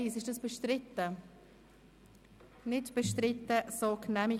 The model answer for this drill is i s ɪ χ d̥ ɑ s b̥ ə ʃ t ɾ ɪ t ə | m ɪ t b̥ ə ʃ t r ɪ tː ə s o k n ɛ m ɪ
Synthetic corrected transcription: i s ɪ ʃ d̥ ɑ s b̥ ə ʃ t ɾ ɪ t ə | n ɪ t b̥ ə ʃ t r ɪ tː ə s o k n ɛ m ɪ